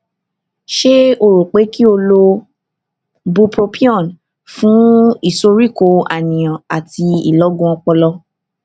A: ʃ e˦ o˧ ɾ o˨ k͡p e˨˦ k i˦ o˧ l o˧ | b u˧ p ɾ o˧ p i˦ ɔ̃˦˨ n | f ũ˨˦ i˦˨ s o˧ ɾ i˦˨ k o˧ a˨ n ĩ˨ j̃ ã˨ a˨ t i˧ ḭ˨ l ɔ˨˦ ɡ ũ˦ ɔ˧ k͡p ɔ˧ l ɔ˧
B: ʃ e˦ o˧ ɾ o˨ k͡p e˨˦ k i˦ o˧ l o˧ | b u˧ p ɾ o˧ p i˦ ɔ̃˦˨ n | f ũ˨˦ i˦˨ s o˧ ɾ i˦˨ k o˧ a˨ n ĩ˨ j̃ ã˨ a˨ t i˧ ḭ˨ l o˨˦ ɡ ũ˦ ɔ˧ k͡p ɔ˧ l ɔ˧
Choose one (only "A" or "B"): A